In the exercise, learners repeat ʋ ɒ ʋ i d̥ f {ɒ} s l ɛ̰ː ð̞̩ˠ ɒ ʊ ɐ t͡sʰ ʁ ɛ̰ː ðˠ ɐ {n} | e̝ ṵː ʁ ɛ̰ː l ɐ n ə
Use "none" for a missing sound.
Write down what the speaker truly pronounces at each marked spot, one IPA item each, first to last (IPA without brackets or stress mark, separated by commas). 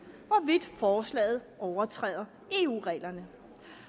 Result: ɒː, none